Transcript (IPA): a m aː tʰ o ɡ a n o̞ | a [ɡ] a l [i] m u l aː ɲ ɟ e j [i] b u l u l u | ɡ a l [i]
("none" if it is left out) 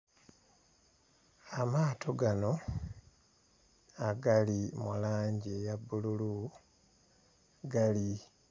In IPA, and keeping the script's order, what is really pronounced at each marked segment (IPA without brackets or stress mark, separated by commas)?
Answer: ɡ, i, a, i